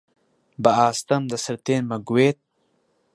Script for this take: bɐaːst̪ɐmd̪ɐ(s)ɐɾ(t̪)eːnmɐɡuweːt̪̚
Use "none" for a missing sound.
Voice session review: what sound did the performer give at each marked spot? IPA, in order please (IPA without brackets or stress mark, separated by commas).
s, t̪